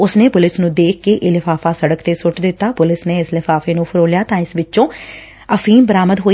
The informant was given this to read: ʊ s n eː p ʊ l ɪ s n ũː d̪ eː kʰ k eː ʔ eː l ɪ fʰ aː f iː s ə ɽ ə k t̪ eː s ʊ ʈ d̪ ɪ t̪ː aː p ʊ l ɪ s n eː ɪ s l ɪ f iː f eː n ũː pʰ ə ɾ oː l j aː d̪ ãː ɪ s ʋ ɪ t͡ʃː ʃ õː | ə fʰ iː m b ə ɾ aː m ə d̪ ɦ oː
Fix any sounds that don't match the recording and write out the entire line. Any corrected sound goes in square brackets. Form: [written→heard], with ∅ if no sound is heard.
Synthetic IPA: ʊ s n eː p ʊ l ɪ s n ũː d̪ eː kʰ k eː ʔ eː l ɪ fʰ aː f [iː→aː] s ə ɽ ə k t̪ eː s ʊ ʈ d̪ ɪ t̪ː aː p ʊ l ɪ s n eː ɪ s l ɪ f [iː→aː] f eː n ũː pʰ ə ɾ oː l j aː [d̪→t̪] ãː ɪ s ʋ ɪ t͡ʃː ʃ õː | ə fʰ iː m b ə ɾ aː m ə d̪ ɦ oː